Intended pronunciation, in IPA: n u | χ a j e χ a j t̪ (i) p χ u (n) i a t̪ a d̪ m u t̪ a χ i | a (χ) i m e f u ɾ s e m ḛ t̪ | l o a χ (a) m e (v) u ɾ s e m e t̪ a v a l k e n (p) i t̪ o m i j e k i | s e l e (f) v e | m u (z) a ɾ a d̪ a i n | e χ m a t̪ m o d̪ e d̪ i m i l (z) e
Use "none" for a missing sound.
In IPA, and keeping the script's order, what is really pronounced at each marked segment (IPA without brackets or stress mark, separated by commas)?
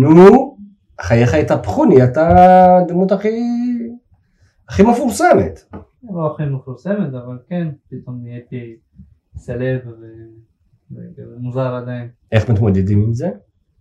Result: a, n, χ, i, f, p, v, z, z